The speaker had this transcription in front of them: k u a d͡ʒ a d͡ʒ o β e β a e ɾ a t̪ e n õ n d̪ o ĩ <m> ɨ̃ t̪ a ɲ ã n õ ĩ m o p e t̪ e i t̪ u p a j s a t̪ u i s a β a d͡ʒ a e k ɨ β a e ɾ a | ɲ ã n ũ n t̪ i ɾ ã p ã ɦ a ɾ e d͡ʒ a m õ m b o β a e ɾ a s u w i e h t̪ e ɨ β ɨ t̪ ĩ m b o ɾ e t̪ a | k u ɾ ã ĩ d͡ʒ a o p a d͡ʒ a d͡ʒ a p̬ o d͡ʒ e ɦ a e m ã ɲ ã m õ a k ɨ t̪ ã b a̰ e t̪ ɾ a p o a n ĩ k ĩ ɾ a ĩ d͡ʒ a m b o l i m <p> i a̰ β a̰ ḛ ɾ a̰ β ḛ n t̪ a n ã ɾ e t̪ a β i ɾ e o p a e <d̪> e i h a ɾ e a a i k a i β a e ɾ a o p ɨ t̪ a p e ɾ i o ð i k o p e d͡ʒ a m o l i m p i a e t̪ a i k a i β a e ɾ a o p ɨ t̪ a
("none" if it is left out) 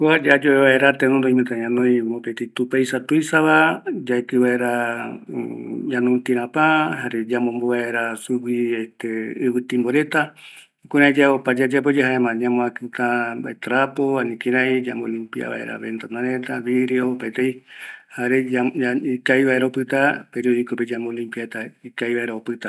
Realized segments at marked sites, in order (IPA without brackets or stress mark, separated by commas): m, p, t̪